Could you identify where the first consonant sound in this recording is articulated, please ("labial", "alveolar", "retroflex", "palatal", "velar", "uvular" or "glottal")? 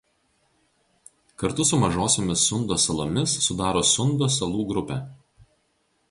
velar